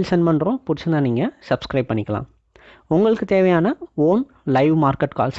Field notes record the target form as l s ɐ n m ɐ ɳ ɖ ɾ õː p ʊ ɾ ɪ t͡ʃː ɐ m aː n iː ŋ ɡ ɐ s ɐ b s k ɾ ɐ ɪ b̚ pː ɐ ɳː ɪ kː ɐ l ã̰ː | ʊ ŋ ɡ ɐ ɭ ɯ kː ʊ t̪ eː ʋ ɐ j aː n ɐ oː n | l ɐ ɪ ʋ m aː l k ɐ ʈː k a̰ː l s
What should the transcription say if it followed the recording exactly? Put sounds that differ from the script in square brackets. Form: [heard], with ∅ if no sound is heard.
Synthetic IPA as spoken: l s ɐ n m ɐ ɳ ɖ ɾ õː p ʊ ɾ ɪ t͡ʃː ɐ [n] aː n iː ŋ ɡ ɐ s ɐ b s k ɾ ɐ ɪ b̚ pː ɐ ɳː ɪ kː ɐ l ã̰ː | ʊ ŋ ɡ ɐ ɭ ɯ kː [ɯ] t̪ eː ʋ ɐ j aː n ɐ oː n | l ɐ ɪ ʋ m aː [ɾ] k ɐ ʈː k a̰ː l s